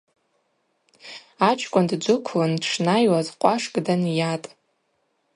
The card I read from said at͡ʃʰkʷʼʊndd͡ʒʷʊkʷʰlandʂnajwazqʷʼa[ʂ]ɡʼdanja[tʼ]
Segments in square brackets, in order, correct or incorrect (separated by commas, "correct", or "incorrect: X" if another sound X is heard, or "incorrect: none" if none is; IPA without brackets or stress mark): correct, correct